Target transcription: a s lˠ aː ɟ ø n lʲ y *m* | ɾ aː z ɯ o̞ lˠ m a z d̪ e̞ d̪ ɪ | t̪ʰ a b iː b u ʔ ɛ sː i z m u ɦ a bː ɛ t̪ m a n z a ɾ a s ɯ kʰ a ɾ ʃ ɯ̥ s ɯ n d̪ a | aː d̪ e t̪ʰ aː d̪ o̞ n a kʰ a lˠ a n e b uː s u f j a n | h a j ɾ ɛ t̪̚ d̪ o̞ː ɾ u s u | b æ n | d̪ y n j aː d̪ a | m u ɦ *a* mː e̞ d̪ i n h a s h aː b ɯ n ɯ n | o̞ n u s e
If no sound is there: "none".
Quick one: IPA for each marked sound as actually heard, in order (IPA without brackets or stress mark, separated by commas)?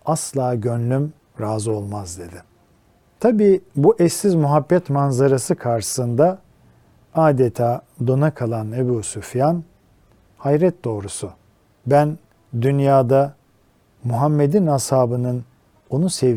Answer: m, a